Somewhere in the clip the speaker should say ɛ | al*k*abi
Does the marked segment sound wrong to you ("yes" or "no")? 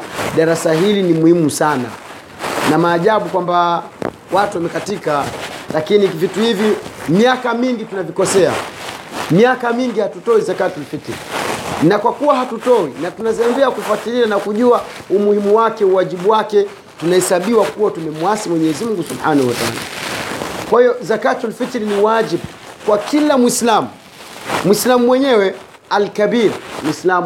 no